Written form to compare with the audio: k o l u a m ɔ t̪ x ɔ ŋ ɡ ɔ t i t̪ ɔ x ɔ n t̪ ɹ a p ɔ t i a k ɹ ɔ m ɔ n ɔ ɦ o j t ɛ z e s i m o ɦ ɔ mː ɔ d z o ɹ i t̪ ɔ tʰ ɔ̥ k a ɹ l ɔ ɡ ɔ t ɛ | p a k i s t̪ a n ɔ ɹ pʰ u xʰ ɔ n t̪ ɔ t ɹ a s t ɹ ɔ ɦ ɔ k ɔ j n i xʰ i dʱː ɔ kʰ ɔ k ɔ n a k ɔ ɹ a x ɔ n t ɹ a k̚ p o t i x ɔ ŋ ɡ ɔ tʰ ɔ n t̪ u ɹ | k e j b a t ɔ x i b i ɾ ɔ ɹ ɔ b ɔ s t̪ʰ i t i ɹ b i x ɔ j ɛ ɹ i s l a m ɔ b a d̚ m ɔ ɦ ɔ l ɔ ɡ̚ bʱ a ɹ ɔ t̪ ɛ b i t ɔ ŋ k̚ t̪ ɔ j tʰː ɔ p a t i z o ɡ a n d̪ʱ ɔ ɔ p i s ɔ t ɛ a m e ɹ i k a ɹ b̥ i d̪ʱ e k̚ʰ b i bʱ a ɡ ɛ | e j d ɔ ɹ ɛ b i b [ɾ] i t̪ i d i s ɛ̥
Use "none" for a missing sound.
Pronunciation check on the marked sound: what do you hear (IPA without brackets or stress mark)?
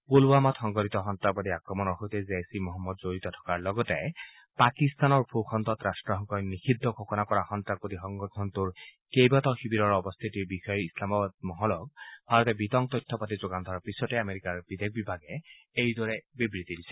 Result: ɹ